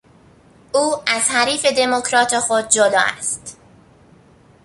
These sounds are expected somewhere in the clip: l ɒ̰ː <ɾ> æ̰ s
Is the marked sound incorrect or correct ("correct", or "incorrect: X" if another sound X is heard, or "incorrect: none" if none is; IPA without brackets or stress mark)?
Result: incorrect: none